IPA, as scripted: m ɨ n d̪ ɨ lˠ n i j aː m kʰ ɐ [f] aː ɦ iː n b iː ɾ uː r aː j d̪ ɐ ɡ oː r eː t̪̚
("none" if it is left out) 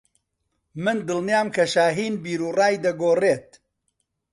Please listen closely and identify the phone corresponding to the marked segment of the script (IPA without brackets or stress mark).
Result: ʃ